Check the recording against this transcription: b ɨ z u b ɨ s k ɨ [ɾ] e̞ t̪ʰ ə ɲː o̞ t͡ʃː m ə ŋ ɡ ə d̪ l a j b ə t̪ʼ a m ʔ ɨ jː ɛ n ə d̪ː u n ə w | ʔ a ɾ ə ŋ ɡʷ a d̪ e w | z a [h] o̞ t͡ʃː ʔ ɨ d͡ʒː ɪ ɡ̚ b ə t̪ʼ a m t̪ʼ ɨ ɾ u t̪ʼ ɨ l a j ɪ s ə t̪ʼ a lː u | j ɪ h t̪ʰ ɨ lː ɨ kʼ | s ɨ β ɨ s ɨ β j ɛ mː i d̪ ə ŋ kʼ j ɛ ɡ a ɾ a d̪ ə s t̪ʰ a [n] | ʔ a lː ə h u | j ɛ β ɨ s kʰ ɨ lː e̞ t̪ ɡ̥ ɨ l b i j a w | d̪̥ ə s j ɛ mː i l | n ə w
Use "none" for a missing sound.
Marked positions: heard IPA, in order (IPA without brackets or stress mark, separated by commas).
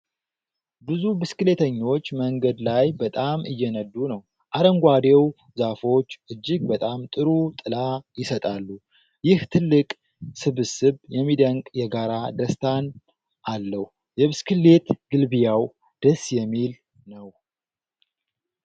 l, f, n